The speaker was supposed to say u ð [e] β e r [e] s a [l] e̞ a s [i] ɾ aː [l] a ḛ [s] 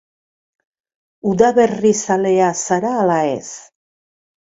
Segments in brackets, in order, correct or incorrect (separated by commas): incorrect, incorrect, correct, incorrect, correct, correct